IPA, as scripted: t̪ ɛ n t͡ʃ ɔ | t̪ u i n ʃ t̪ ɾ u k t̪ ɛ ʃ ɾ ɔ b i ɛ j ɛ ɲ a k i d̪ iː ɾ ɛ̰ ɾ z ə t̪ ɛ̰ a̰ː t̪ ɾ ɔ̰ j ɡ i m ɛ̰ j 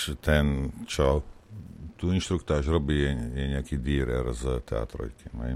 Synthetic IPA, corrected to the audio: t̪ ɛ n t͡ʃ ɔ | t̪ u i n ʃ t̪ ɾ u k t̪ a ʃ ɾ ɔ b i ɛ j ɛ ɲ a k i d̪ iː ɾ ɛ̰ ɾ z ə t̪ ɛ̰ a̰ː t̪ ɾ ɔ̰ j k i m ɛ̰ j